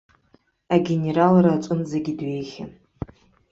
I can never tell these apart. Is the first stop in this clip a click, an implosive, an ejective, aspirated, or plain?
plain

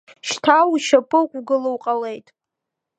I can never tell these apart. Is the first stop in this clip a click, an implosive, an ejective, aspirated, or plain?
aspirated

